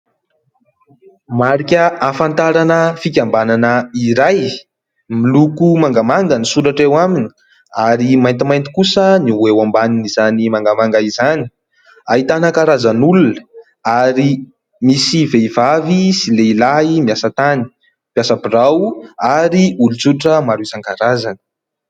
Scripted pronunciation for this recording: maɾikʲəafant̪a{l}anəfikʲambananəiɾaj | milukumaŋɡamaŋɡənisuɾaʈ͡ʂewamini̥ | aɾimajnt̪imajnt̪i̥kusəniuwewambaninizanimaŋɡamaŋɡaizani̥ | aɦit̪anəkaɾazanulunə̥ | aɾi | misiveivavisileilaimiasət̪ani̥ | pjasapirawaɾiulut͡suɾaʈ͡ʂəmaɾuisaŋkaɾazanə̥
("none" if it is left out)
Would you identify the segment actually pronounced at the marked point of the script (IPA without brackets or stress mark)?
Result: ɾ